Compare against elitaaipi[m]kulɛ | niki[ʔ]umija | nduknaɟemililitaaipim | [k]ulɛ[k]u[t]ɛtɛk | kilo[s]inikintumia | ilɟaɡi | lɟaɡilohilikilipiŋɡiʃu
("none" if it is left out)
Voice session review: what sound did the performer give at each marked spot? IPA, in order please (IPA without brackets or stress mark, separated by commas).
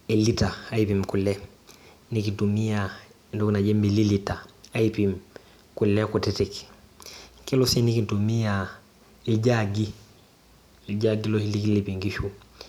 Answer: m, t, k, k, t, s